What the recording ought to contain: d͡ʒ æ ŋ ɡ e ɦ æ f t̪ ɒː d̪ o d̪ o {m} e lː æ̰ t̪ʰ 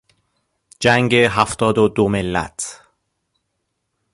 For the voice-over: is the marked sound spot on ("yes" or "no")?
yes